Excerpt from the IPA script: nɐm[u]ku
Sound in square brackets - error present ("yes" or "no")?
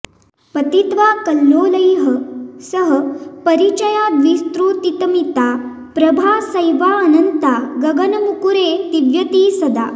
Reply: no